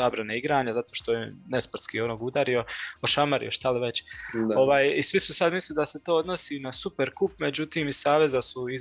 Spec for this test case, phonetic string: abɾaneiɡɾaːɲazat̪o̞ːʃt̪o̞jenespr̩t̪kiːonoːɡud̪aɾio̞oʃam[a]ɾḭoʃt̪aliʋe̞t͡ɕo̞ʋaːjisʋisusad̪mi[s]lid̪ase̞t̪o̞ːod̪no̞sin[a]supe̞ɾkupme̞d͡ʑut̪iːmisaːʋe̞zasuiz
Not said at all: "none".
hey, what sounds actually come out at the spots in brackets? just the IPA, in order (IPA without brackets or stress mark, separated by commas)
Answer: a, s, a